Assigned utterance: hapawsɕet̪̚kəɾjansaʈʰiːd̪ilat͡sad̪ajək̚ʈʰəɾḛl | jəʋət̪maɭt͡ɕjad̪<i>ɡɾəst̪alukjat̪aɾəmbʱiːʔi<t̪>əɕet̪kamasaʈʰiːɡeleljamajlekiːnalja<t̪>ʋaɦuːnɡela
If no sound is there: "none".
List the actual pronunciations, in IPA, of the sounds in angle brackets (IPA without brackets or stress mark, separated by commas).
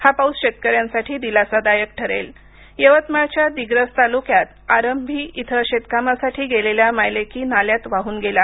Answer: i, t̪ʰ, t̪